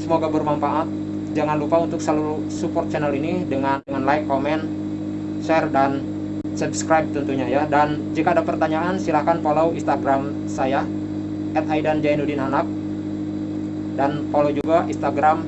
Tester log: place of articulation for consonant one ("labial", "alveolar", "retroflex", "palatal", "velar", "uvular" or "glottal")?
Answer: alveolar